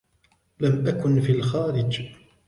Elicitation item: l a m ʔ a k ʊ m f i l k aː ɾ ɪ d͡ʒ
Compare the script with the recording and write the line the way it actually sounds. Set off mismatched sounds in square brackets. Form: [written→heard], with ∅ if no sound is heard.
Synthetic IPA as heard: l a m ʔ a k ʊ [m→n] f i l [k→x] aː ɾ ɪ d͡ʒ